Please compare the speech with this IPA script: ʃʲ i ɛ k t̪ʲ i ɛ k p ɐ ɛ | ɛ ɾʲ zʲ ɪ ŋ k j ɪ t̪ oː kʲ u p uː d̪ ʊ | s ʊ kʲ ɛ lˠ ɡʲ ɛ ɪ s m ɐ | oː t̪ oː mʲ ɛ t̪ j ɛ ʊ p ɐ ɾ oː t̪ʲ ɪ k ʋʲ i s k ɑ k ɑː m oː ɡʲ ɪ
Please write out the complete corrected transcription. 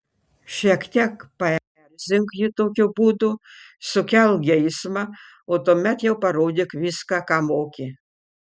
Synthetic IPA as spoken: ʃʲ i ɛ k t̪ʲ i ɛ k p ɐ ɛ | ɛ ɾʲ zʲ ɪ ŋ k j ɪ t̪ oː kʲ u b uː d̪ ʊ | s ʊ kʲ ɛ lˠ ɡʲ ɛ ɪ s m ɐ | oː t̪ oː mʲ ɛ t̪ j ɛ ʊ p ɐ ɾ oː d̪ʲ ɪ k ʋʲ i s k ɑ k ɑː m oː kʲ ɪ